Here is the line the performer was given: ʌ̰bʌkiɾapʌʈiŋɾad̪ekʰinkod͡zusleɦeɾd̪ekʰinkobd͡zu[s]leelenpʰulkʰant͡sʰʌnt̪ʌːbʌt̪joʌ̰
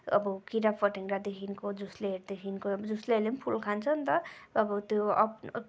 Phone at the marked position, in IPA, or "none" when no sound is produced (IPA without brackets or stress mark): s